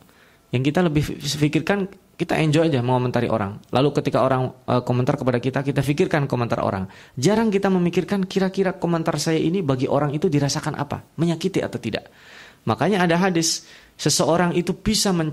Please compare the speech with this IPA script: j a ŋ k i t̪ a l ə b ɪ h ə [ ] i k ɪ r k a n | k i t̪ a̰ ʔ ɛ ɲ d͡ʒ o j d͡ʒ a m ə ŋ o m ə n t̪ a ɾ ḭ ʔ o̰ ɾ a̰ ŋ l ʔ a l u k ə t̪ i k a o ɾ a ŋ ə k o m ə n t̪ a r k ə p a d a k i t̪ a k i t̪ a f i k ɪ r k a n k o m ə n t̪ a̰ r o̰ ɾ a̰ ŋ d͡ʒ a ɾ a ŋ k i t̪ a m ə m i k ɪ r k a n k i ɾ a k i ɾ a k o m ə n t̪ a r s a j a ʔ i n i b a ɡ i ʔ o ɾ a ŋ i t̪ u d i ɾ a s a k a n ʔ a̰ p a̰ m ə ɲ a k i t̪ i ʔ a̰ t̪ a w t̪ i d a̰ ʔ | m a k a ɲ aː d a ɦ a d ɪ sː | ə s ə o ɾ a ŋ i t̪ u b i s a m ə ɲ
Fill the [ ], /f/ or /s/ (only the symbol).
f